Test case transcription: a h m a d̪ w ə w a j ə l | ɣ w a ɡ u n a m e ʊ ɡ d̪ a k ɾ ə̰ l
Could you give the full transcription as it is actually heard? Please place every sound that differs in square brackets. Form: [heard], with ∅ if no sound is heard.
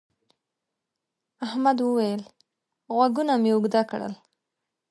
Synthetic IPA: a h m a d̪ w ə w a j ə l | ɣ w a ɡ u n a m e ʊ ɡ d̪ a k [ɽ] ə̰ l